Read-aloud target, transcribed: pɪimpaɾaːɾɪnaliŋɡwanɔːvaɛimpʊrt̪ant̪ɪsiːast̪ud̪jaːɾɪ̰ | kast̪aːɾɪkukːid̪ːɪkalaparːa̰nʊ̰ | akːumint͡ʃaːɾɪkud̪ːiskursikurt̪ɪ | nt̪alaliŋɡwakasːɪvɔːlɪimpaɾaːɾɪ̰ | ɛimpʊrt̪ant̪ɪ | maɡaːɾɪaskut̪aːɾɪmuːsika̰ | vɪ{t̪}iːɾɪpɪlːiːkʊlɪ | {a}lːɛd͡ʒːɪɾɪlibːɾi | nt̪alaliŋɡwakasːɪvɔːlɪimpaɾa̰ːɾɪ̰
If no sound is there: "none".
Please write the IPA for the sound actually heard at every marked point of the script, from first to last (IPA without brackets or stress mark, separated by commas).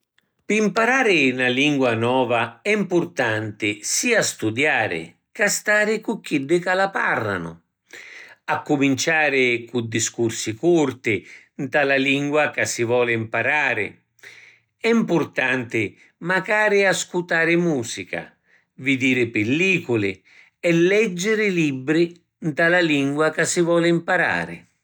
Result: d̪, ɛ